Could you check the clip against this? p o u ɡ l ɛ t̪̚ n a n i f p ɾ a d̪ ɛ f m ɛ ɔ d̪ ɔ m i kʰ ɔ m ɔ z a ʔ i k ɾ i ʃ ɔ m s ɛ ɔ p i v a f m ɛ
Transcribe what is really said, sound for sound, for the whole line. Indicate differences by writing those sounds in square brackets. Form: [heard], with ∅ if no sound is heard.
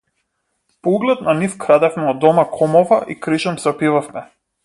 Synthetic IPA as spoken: p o u ɡ l ɛ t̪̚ n a n i f [k] ɾ a d̪ ɛ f m ɛ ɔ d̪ ɔ m [a] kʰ ɔ m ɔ [v] a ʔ i k ɾ i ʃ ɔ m s ɛ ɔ p i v a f m ɛ